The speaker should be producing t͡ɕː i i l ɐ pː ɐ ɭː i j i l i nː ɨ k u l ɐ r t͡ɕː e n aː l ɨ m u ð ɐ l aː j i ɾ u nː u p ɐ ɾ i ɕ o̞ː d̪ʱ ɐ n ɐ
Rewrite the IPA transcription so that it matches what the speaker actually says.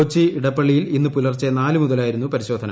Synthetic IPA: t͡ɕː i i ɽ ɐ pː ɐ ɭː i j i l i nː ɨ p u l ɐ r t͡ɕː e n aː l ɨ m u ð ɐ l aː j i ɾ u nː u p ɐ ɾ i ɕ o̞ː d̪ʱ ɐ n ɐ